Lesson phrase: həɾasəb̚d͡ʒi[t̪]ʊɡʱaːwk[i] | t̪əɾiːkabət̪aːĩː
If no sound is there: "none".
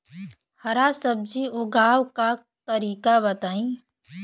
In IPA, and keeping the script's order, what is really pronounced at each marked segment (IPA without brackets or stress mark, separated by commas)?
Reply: none, a